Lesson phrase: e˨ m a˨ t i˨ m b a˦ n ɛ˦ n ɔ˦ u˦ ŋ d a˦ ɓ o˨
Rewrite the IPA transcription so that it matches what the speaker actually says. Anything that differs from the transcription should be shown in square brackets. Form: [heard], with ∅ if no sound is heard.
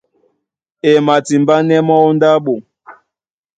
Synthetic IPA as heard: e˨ m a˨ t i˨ m b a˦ n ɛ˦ [m] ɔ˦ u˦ [n] d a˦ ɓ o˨